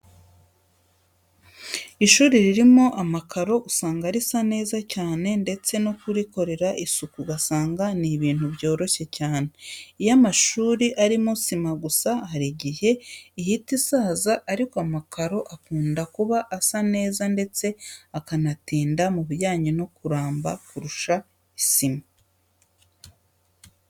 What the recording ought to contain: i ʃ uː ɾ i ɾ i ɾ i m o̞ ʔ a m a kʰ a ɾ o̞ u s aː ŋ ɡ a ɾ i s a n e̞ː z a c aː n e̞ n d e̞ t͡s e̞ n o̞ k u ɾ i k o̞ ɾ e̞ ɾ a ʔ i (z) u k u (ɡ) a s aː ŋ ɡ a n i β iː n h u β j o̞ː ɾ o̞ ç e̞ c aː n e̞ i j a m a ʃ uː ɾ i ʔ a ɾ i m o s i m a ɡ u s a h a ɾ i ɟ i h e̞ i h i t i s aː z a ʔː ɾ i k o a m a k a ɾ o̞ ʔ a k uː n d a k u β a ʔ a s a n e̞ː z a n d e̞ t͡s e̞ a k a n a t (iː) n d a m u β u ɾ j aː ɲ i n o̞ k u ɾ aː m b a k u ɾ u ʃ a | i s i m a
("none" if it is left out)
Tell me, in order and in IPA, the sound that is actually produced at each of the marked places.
s, ɡ, iː

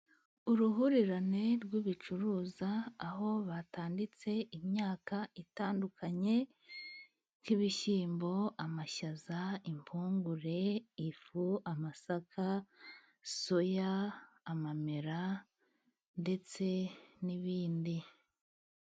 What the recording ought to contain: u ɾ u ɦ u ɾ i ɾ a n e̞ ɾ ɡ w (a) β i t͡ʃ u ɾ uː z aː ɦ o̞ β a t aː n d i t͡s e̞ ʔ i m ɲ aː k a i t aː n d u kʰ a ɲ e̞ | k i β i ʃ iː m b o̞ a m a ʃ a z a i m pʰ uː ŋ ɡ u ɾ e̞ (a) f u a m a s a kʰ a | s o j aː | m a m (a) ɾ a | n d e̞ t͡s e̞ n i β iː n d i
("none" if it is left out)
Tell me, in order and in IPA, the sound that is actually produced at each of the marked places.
i, i, e

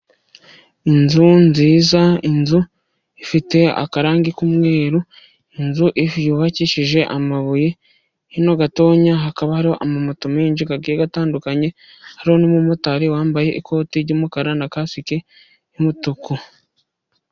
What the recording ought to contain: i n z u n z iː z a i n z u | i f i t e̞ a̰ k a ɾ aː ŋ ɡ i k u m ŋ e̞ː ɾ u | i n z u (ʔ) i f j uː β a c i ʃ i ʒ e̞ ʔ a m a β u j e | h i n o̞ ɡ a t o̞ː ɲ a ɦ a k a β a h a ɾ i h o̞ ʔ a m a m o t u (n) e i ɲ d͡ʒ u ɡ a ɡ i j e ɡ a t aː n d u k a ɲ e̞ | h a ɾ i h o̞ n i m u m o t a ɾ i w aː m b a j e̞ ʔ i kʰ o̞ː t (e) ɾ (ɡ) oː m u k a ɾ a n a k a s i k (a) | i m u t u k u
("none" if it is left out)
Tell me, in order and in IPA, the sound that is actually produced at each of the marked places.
ʔ, m, i, ɟ, e

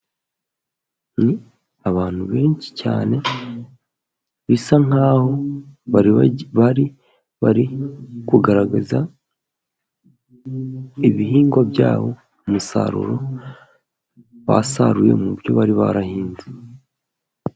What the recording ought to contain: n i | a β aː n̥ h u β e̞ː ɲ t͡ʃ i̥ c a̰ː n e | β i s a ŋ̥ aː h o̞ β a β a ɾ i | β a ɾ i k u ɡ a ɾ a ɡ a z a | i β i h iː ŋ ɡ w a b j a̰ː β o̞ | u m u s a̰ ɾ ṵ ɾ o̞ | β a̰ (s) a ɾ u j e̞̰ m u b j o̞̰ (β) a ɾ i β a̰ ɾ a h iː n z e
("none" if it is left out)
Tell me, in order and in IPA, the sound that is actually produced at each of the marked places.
s, β

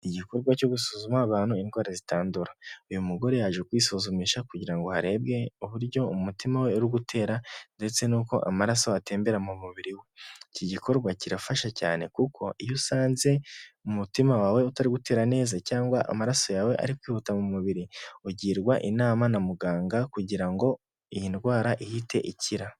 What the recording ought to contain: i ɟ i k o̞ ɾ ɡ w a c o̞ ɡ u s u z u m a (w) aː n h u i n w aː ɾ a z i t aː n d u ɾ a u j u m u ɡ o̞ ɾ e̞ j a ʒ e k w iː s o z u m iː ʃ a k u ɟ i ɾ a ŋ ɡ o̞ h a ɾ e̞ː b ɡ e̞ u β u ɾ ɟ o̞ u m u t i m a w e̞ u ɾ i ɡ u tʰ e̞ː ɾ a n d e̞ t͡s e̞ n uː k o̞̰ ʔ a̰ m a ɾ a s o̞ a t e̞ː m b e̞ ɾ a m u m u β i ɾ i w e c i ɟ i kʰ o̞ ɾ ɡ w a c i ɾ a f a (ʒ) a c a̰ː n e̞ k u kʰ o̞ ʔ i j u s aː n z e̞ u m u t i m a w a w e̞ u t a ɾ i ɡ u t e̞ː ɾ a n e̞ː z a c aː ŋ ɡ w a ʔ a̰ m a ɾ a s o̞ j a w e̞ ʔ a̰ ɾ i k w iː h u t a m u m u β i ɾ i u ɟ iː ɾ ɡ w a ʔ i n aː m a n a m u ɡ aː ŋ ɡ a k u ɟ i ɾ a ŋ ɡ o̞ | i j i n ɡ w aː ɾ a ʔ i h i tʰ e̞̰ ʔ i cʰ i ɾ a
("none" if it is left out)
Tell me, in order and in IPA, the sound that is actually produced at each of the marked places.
β, ʃ

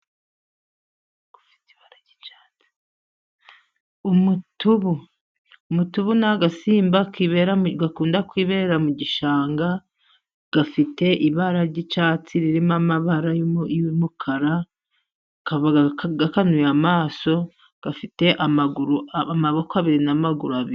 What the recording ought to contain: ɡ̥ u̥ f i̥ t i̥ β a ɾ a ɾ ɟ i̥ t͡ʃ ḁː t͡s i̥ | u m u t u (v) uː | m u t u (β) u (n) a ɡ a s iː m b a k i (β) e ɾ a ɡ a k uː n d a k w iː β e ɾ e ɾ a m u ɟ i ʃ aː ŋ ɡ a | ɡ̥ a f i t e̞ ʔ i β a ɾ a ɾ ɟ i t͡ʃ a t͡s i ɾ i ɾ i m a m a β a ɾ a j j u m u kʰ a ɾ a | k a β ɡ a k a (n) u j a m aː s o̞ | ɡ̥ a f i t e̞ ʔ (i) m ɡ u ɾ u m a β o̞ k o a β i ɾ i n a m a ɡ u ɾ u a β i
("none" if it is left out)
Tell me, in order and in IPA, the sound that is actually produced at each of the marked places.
β, β, n, β, n, a

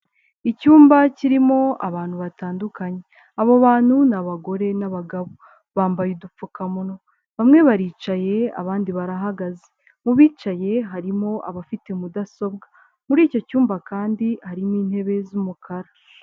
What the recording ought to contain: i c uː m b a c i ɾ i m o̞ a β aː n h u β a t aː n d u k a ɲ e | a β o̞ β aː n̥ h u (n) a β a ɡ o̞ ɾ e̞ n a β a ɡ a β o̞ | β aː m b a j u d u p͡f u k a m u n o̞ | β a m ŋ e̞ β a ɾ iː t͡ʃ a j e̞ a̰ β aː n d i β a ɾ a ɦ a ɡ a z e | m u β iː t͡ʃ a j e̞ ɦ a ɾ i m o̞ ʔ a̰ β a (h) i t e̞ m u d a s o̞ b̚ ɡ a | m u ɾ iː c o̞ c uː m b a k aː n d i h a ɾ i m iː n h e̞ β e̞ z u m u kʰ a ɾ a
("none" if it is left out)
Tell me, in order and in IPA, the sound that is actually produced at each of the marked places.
n, f

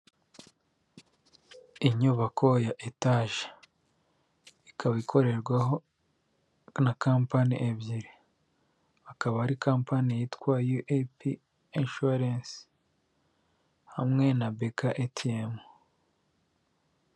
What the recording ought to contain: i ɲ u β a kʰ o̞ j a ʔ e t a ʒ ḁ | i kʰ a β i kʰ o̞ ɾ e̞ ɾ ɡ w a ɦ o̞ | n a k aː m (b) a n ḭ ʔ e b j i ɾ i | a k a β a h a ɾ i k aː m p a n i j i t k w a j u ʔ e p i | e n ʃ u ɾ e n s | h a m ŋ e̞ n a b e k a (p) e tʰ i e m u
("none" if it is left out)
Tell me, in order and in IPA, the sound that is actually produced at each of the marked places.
p, ʔ

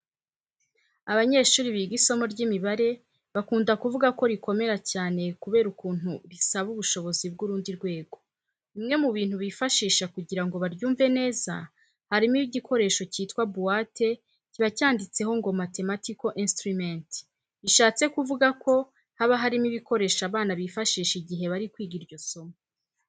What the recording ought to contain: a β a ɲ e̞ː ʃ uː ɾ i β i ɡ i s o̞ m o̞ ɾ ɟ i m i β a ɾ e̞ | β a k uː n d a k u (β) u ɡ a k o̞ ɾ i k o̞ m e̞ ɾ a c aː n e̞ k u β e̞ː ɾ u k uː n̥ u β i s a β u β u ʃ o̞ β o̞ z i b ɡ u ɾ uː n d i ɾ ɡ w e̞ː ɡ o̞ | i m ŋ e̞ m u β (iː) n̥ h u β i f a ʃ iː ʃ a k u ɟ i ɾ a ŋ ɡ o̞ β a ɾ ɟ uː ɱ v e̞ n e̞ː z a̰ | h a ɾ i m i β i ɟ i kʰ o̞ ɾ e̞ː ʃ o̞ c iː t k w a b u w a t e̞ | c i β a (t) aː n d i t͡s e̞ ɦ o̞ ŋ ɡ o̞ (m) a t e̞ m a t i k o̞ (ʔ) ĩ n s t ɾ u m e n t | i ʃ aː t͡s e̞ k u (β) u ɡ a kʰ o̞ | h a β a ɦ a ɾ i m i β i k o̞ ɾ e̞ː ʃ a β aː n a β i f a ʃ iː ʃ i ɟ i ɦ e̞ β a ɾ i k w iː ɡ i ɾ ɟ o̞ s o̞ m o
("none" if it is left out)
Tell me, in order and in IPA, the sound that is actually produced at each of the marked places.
v, iː, c, m, ʔ, v

